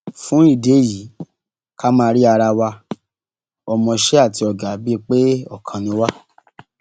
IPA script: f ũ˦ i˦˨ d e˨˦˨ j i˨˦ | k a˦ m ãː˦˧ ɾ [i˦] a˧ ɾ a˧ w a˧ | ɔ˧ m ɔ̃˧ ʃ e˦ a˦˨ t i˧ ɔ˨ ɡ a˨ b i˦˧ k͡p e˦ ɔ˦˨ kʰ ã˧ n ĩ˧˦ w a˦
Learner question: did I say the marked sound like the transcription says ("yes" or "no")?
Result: yes